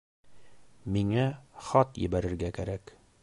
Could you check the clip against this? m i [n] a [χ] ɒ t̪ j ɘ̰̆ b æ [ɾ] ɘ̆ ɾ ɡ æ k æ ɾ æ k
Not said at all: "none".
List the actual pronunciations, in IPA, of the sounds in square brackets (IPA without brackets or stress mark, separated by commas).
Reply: ŋ, χ, ɾ